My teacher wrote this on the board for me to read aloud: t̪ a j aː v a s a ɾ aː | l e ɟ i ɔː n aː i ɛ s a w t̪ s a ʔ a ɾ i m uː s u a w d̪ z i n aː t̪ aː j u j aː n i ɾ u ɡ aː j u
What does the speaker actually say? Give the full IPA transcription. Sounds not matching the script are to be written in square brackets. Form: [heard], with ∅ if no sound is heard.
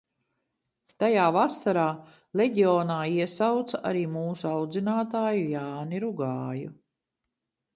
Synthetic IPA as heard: t̪ a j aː v a s a ɾ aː | l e ɟ i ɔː n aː i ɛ s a w t̪ s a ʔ a ɾ [iː] m uː s u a w d̪ z i n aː t̪ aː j u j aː n i ɾ u ɡ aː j u

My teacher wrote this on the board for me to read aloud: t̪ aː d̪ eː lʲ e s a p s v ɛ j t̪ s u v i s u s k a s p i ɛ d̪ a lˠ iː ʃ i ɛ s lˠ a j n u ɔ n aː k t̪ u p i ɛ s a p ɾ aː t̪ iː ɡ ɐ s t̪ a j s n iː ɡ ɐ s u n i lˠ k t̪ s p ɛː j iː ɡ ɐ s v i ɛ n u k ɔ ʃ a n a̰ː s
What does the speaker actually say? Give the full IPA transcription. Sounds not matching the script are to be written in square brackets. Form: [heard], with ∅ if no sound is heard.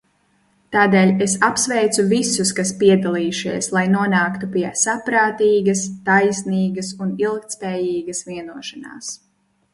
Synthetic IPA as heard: t̪ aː d̪ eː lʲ e s a p s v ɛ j t̪ s u v i s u s k a s p i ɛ d̪ a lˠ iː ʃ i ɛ s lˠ a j n u ɔ n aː k t̪ u p i ɛ s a p ɾ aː t̪ iː ɡ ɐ s t̪ a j s n iː ɡ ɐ s u n i lˠ k t̪ s p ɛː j iː ɡ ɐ s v i ɛ n u [∅] ɔ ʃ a n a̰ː s

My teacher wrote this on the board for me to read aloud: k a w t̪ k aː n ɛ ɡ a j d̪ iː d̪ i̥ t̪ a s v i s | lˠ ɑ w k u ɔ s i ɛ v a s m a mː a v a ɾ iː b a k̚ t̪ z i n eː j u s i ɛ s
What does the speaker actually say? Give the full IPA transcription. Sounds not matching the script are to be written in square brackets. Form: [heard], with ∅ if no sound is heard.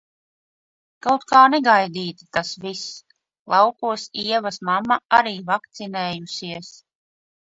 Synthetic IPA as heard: k a w t̪ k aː n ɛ ɡ a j d̪ iː [t̪] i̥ t̪ a s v i s | lˠ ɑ w k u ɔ s i ɛ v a s m a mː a [∅] a ɾ iː [v] a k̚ t̪ [s] i n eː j u s i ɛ s

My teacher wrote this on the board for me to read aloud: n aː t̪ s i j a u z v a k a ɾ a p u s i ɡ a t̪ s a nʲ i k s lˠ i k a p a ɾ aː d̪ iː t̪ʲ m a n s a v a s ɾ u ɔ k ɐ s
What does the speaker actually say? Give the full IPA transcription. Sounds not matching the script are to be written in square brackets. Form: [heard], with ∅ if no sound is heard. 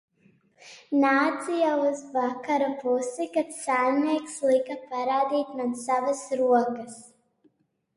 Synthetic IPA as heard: n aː t̪ s i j a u z v a k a ɾ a p u s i [k] a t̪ s a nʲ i k s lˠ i k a p a ɾ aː d̪ iː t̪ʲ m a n s a v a s ɾ u ɔ k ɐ s

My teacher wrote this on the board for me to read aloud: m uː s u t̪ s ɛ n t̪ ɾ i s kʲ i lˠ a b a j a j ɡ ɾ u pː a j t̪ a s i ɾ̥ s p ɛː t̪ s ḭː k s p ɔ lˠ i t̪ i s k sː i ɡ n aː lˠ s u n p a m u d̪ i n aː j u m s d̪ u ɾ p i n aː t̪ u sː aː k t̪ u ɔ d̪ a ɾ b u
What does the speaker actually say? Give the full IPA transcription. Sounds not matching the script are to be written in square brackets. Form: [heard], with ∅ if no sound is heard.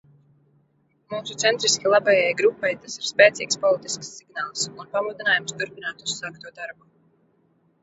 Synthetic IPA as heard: m uː s u t̪ s ɛ n t̪ ɾ i s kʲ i lˠ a b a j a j ɡ ɾ u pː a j t̪ a s i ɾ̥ s p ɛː t̪ s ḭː k s p ɔ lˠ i t̪ i s k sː i ɡ n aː lˠ s u n p a m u d̪ i n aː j u m s [t̪] u ɾ p i n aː t̪ u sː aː k t̪ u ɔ d̪ a ɾ b u

